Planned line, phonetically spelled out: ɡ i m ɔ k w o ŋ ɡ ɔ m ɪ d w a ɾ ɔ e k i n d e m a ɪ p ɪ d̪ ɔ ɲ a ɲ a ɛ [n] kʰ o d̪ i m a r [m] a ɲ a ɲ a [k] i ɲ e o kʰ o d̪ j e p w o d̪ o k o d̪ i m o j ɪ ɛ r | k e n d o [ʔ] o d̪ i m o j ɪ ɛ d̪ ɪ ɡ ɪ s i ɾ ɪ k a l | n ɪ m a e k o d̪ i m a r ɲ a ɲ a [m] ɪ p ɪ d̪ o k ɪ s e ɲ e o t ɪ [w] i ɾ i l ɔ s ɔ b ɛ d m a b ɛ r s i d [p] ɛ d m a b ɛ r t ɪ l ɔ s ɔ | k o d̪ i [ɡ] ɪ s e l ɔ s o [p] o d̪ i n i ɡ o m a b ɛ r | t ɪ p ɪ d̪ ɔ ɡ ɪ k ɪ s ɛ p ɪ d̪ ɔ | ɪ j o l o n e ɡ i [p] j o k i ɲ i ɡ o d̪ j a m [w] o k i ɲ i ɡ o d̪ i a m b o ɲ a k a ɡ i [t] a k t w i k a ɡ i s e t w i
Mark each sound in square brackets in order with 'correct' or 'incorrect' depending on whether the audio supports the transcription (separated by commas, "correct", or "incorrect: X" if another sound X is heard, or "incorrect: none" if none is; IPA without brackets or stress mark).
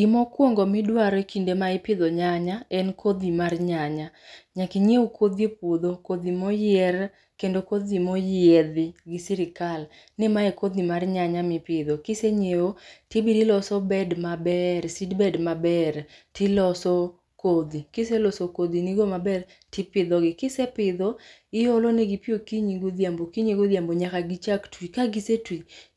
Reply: correct, incorrect: ɲ, correct, incorrect: k, correct, incorrect: b, incorrect: b, incorrect: k, incorrect: k, correct, incorrect: b, incorrect: t͡ʃ